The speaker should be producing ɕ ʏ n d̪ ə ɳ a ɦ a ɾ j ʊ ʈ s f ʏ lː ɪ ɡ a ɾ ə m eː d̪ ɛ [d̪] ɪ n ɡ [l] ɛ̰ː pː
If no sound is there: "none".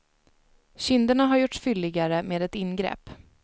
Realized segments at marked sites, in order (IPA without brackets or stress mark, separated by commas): t̪, ɾ